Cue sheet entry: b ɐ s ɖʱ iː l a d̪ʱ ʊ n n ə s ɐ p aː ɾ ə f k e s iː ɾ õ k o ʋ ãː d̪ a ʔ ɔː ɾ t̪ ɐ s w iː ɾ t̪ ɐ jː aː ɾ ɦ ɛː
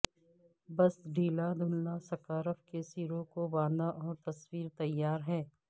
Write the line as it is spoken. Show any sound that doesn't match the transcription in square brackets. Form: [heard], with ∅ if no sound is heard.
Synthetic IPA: b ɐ s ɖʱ iː l a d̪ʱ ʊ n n [a] s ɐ [k] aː ɾ ə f k e s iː ɾ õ k o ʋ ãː d̪ a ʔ ɔː ɾ t̪ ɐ s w iː ɾ t̪ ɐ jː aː ɾ ɦ ɛː